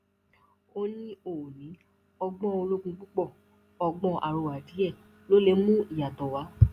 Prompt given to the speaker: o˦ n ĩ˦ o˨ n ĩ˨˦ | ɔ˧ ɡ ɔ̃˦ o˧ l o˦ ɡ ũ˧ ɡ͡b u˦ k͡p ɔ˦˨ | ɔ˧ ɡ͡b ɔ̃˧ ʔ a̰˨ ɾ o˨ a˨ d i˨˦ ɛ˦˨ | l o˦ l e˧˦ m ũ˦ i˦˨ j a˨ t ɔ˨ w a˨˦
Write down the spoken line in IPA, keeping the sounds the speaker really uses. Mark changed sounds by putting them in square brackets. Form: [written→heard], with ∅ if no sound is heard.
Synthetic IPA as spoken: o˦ n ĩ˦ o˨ n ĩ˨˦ | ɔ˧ [ɡ→ɡ͡b] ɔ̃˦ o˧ l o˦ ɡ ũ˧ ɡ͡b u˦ k͡p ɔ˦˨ | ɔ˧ ɡ͡b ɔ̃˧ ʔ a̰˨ ɾ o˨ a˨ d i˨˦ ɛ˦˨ | l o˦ l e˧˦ m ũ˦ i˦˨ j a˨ t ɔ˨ w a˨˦

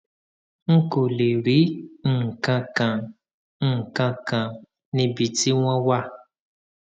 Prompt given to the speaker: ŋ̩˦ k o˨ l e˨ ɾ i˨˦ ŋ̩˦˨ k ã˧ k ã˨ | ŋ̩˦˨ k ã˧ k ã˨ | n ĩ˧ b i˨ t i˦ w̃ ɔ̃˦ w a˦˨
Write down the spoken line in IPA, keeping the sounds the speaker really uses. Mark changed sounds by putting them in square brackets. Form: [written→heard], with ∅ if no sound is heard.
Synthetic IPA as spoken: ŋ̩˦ k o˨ l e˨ ɾ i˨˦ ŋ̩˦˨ k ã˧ k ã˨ | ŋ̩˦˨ k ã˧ k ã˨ | n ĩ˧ b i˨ t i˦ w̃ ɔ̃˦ w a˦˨

